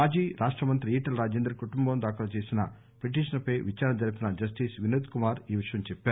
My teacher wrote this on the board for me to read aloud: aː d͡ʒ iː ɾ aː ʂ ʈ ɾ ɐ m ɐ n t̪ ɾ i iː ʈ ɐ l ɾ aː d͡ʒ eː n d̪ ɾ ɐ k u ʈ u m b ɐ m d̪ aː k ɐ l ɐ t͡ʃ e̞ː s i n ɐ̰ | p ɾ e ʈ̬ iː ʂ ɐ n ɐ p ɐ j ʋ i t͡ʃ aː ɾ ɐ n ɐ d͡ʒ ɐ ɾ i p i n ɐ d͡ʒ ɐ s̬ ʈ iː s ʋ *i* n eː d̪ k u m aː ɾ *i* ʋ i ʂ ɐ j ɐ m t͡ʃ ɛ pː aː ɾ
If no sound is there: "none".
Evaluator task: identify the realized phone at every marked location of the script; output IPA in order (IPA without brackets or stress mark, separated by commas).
i, iː